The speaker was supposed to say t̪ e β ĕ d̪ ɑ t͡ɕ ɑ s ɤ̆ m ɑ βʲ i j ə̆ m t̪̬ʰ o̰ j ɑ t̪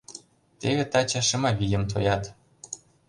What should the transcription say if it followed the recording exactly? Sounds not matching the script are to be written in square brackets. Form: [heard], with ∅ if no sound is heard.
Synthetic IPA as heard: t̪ e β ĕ [t̪] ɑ t͡ɕ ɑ [ʃ] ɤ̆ m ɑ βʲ i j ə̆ m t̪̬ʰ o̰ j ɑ t̪